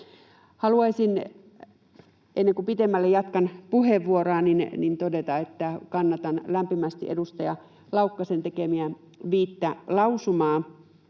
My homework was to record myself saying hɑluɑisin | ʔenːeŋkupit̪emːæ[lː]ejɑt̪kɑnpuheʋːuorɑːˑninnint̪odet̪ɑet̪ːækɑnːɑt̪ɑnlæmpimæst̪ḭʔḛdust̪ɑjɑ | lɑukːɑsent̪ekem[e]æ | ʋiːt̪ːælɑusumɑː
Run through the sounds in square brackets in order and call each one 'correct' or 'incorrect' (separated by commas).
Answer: correct, incorrect